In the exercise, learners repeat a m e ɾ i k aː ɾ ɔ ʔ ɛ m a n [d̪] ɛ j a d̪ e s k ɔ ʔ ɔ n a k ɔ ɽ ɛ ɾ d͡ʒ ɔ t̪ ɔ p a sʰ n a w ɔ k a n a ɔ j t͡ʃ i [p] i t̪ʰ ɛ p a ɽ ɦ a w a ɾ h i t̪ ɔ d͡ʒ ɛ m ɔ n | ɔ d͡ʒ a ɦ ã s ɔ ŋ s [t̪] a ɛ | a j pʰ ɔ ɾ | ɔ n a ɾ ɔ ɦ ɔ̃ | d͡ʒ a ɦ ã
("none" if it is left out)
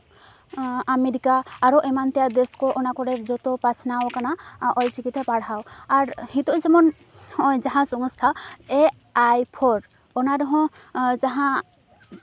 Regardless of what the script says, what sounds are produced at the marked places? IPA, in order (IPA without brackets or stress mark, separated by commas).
t̪, k, t̪ʰ